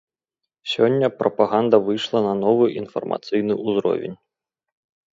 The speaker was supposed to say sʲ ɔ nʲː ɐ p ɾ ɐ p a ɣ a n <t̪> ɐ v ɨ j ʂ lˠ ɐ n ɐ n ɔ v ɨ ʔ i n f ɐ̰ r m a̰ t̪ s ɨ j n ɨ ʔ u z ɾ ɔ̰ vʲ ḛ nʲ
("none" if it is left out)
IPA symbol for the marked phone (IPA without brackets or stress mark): d̪